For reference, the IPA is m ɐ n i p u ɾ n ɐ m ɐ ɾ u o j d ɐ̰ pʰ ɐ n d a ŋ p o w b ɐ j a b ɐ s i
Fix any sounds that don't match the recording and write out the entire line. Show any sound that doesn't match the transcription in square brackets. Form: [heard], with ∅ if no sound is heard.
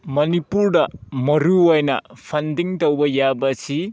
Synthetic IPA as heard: m ɐ n i p u ɾ [d] ɐ m ɐ ɾ u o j [n] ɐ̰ pʰ ɐ n d [i] ŋ [t] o w b ɐ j a b ɐ s i